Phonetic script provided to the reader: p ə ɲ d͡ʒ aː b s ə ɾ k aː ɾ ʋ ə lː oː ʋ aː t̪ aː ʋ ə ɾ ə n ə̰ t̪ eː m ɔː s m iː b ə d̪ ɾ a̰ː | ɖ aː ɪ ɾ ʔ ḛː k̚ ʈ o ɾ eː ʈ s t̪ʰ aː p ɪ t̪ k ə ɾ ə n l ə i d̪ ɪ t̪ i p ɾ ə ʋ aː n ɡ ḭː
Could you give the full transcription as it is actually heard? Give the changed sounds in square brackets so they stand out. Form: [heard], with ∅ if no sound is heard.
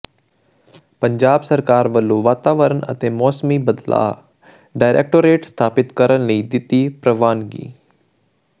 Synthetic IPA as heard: p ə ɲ d͡ʒ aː b s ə ɾ k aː ɾ ʋ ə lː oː ʋ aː t̪ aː ʋ ə ɾ ə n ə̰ t̪ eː m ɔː s m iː b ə d̪ [l] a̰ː | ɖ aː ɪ ɾ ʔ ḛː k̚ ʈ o ɾ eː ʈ s t̪ʰ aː p ɪ t̪ k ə ɾ ə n l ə i d̪ ɪ t̪ i p ɾ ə ʋ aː n ɡ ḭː